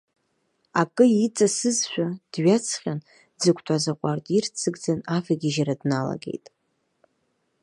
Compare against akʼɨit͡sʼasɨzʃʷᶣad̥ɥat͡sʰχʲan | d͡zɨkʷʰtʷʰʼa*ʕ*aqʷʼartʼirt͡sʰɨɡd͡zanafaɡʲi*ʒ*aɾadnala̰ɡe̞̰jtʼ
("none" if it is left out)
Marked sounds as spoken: z, ʒ

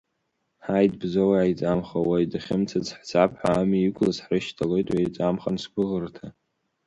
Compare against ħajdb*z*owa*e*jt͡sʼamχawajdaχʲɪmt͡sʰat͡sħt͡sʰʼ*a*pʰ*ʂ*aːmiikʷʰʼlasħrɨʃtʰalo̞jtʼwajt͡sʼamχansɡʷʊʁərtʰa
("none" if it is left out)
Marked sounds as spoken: z, a, a, ħ

